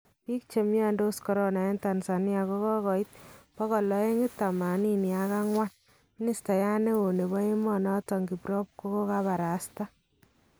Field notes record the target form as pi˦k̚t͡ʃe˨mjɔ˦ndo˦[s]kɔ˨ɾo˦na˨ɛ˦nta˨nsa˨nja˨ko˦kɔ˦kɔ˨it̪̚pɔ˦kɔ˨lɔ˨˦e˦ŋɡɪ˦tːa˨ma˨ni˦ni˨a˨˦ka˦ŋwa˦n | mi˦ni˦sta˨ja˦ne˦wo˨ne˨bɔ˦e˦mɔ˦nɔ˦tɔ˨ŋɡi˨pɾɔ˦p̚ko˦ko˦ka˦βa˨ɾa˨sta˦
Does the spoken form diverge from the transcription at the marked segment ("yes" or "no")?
no